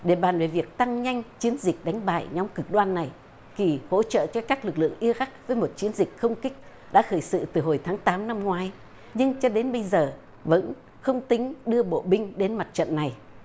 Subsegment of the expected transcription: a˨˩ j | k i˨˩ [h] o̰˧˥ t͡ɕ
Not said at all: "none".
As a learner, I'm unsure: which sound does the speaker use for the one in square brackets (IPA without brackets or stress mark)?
h